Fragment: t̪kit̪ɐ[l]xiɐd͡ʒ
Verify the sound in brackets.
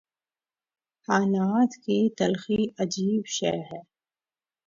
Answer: correct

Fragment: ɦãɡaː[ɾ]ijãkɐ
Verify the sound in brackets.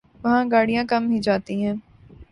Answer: incorrect: ɽ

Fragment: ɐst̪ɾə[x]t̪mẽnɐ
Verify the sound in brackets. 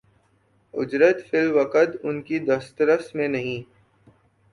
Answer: incorrect: s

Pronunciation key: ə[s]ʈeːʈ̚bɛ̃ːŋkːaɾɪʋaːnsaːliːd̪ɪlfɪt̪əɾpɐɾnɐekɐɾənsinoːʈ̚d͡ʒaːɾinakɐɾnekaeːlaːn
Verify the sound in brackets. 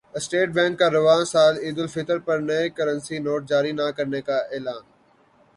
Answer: correct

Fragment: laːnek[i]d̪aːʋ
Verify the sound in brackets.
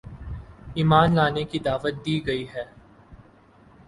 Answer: correct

